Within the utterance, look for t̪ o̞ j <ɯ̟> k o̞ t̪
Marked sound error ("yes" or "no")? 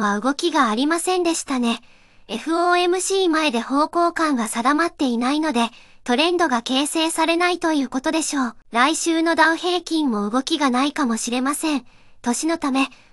yes